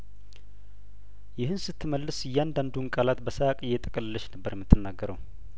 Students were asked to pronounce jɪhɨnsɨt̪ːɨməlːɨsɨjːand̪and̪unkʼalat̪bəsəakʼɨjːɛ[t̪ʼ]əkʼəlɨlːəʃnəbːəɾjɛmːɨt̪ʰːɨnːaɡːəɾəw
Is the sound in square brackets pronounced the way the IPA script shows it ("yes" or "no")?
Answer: yes